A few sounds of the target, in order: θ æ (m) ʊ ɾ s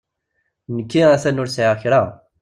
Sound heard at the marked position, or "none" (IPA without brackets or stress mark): n